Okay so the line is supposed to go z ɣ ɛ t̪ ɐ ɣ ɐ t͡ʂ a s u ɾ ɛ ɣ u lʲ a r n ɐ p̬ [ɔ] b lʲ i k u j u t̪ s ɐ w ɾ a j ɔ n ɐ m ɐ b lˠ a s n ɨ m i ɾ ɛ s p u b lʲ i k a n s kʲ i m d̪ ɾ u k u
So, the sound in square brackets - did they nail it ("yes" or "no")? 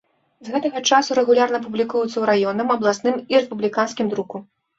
no